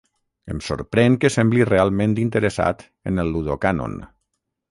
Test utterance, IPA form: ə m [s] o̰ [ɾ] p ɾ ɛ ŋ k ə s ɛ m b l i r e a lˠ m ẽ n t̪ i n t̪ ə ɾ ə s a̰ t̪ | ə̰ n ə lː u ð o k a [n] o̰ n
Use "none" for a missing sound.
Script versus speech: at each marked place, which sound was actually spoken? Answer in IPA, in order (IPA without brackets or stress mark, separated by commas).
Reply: s, ɾ, n